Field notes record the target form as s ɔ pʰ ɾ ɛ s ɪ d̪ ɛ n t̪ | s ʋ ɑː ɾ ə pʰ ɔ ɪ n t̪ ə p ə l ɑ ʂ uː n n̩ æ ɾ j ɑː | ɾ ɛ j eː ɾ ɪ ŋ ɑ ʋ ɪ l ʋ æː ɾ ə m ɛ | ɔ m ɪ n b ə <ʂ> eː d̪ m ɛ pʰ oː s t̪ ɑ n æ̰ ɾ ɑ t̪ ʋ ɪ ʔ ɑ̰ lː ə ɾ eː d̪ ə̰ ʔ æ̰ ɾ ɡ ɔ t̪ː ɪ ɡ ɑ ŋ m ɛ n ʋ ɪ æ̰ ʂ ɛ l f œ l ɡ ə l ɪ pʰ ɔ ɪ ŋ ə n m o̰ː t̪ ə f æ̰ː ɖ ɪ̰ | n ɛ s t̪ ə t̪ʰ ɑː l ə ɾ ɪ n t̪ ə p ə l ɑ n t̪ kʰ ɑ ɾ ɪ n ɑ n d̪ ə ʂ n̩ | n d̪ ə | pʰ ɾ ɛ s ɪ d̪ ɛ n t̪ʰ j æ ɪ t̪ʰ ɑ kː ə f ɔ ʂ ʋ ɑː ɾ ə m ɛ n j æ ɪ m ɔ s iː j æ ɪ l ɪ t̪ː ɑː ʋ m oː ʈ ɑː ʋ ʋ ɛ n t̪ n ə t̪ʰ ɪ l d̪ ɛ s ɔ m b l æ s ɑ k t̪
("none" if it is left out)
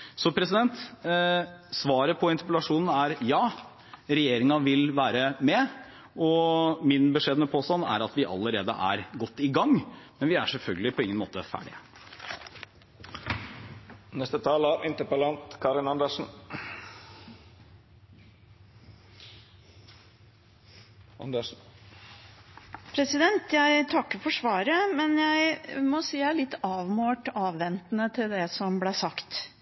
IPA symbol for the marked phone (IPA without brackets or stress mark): ʂ